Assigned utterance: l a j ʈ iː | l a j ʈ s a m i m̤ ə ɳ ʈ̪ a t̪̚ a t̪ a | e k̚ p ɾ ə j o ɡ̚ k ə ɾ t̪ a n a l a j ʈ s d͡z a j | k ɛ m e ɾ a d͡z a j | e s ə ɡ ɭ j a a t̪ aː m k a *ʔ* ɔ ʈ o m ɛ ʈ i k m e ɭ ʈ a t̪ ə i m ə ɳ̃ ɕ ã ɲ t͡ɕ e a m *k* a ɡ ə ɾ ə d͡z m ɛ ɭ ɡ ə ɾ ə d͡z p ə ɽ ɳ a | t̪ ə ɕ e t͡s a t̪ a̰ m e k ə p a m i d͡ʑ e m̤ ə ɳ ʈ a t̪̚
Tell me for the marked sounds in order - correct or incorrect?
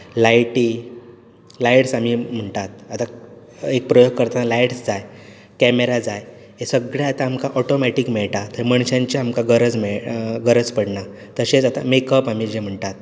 correct, correct

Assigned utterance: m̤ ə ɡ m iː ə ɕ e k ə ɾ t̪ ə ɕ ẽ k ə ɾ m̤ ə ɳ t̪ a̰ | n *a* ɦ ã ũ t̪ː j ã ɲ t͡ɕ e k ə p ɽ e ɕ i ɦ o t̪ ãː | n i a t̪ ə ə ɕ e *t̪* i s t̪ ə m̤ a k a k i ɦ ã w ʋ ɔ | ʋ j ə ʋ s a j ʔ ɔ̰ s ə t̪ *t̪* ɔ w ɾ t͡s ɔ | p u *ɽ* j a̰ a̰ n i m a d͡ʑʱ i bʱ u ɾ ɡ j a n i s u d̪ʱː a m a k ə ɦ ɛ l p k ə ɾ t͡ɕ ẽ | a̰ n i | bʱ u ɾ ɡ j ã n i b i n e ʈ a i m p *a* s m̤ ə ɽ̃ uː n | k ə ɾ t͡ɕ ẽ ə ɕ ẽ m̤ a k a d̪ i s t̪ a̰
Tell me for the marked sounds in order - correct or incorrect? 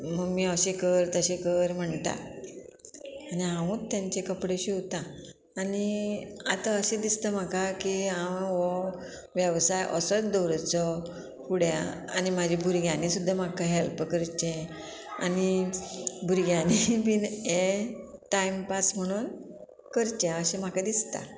incorrect: i, incorrect: d̪, incorrect: d̪, correct, correct

